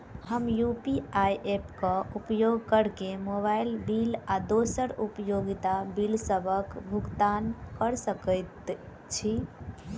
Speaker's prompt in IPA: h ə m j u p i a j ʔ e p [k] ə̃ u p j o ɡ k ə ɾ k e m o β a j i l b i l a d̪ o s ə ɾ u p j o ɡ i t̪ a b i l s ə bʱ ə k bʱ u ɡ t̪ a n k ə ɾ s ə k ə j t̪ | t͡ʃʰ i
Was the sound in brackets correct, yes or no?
yes